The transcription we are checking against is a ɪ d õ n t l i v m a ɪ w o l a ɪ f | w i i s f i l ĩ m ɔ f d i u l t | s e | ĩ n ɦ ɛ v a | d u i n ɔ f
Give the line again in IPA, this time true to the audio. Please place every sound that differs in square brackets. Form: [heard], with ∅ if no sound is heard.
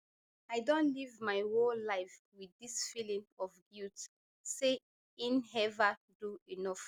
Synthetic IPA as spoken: a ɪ d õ n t l i v m a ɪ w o l a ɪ f | w i i s f i l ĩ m ɔ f [ɡ] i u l t | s e | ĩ n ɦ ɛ v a | d u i n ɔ f